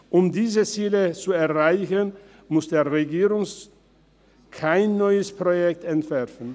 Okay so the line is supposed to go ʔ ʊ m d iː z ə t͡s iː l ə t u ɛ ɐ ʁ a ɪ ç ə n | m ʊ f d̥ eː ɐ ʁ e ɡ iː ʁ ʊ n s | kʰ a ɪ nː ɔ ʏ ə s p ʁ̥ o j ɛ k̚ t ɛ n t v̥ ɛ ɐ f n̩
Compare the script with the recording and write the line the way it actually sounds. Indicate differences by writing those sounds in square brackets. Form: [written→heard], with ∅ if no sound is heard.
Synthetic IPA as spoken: ʔ ʊ m d iː z ə t͡s iː l ə [t→t͡s] u ɛ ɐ ʁ a ɪ ç ə n | m ʊ [f→s] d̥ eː ɐ ʁ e ɡ iː ʁ ʊ [n→ŋ] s | kʰ a ɪ nː ɔ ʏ ə s p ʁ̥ o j ɛ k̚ t ɛ n t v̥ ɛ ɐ f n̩